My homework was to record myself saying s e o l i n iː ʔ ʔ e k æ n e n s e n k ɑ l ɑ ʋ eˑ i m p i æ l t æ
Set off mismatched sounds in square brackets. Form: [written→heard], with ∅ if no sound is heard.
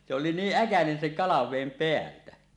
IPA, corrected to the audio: s e o l i n iː ʔ ʔ [e→æ] k æ n e n s e [n→ŋ] k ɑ l ɑ ʋ eˑ i m p [i→e] æ l t æ